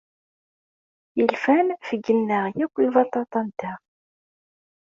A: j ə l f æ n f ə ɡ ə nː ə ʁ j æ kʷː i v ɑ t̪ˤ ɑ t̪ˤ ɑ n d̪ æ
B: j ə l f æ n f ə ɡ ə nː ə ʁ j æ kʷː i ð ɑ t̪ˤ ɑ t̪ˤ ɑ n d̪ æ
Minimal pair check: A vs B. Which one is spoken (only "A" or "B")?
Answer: A